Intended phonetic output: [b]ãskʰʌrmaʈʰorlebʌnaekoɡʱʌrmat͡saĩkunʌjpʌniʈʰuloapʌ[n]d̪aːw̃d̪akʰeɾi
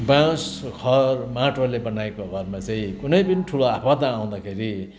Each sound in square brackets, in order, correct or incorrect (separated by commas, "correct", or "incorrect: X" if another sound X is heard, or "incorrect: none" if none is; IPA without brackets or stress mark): correct, incorrect: none